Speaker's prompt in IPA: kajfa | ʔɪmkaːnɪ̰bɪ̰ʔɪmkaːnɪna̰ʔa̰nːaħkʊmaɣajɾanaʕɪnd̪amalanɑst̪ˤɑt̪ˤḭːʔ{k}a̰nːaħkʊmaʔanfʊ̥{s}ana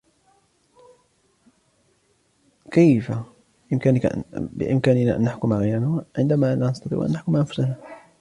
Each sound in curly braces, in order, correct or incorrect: incorrect: ʔ, correct

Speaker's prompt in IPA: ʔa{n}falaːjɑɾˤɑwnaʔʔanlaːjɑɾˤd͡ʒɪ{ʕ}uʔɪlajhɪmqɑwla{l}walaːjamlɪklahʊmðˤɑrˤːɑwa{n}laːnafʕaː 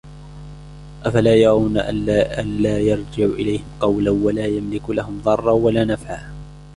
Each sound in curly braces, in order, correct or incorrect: incorrect: none, correct, incorrect: none, incorrect: none

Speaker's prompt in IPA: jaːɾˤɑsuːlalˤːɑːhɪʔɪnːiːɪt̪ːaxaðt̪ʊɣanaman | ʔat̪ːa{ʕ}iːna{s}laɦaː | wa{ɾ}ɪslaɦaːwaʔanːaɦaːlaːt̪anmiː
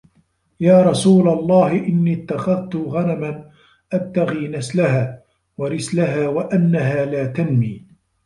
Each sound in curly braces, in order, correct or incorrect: incorrect: ɣ, correct, correct

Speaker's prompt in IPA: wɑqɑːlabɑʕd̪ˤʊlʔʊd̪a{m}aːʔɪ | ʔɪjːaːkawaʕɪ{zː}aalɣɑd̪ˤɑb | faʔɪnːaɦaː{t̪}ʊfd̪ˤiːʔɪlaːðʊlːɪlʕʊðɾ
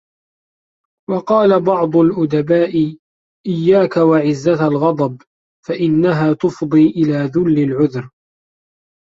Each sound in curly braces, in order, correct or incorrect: incorrect: b, correct, correct

